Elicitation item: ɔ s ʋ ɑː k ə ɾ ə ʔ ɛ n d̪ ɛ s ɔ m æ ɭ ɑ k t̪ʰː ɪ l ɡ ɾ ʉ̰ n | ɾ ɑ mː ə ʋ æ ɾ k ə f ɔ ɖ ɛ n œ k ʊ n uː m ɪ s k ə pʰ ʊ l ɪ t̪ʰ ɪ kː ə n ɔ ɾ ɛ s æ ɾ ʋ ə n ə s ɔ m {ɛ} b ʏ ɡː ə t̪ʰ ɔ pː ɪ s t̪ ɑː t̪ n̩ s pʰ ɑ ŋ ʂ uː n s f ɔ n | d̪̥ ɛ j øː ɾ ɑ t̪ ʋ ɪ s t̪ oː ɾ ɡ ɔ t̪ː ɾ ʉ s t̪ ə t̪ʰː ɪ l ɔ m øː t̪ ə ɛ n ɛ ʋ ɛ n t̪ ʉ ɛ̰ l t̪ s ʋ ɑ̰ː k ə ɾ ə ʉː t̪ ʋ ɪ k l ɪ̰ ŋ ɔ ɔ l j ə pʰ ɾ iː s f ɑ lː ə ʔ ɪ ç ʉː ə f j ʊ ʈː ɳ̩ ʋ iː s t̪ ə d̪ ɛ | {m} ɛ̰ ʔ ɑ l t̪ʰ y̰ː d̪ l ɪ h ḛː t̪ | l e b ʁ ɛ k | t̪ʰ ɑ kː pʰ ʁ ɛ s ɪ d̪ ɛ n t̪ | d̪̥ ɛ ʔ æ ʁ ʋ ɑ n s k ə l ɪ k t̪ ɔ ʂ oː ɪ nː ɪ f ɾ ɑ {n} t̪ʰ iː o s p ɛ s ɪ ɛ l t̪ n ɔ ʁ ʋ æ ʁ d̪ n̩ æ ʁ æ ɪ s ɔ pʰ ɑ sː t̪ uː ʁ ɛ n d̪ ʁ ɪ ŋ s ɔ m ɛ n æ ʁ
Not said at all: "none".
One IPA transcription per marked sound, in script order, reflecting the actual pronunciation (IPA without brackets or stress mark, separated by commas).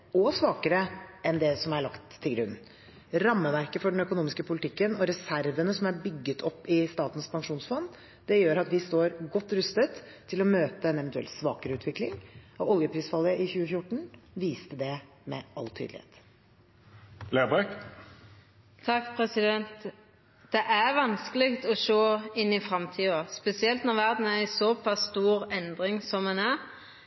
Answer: æ, m, m